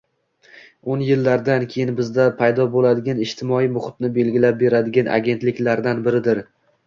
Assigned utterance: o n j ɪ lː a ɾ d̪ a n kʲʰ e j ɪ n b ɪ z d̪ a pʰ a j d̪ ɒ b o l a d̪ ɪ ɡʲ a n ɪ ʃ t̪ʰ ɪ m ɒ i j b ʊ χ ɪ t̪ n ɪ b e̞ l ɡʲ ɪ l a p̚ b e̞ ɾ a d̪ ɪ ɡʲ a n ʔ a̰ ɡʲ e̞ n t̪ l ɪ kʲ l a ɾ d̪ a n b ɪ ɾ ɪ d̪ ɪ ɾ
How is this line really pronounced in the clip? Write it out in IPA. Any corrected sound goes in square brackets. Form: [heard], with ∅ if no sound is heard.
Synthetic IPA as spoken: o n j ɪ lː a ɾ d̪ a n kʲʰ e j ɪ n b ɪ z d̪ a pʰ a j d̪ ɒ b o l a d̪ ɪ ɡʲ a n ɪ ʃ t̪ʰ ɪ m ɒ i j [m] ʊ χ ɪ t̪ n ɪ b e̞ l ɡʲ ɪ l a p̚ b e̞ ɾ a d̪ ɪ ɡʲ a n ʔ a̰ ɡʲ e̞ n t̪ l ɪ kʲ l a ɾ d̪ a n b ɪ ɾ ɪ d̪ ɪ ɾ